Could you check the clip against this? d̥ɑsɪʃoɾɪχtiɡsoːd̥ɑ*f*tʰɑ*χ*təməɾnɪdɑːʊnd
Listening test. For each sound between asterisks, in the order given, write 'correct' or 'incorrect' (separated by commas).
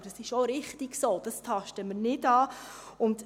incorrect, incorrect